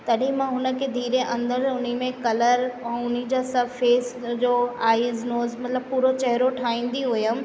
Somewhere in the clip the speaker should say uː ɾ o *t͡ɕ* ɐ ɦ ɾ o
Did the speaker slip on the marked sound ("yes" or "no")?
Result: no